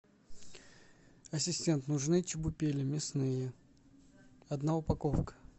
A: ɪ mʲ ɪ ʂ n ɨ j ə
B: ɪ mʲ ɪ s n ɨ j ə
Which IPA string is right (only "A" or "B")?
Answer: B